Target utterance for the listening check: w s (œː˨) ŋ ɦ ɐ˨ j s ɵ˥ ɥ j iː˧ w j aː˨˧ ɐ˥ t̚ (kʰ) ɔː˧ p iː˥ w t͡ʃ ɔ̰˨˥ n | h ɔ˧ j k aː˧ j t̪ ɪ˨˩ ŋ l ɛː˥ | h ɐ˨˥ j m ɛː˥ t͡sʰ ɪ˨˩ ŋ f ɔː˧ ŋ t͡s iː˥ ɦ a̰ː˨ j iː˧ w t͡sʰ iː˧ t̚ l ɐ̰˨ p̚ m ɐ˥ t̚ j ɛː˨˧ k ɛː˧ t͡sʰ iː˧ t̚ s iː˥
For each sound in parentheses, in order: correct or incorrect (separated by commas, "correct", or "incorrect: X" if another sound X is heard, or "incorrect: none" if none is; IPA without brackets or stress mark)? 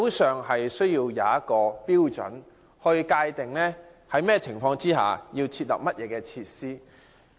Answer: correct, incorrect: k